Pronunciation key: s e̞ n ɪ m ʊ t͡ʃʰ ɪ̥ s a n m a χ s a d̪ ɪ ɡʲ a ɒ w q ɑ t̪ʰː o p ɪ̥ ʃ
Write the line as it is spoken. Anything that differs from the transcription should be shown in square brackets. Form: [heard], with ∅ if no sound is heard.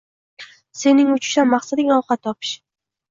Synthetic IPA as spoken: s e̞ n ɪ [ŋ] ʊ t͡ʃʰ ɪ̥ [ʃ] a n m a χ s a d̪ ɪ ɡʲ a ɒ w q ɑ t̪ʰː [ɒ] p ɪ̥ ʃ